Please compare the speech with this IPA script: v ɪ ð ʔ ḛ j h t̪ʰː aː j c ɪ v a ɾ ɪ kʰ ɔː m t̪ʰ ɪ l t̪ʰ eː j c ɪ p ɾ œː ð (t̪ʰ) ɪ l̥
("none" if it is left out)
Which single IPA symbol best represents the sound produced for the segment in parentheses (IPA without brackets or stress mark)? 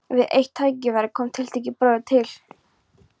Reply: t̪ʰ